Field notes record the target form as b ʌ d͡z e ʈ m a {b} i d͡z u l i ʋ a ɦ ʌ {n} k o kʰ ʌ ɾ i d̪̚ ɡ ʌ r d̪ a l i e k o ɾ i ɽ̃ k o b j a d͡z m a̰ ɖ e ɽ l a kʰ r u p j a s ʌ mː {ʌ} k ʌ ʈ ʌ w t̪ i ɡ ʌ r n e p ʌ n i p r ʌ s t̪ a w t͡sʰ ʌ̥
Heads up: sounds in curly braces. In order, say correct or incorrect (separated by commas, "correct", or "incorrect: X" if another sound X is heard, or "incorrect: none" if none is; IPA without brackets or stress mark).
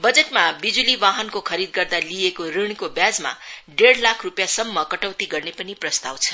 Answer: correct, correct, correct